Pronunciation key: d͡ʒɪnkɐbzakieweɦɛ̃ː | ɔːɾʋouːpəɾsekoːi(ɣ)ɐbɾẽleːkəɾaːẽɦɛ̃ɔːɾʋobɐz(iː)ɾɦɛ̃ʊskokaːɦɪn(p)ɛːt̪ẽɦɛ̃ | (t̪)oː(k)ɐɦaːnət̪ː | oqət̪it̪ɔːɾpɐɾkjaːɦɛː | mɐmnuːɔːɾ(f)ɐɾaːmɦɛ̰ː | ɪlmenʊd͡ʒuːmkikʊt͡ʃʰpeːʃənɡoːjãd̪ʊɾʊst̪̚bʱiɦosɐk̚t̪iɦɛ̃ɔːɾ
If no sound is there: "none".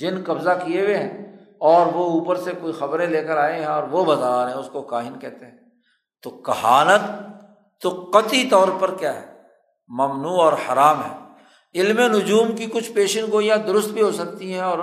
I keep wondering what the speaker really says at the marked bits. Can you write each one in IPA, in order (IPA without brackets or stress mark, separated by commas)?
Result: x, aː, k, t̪, k, h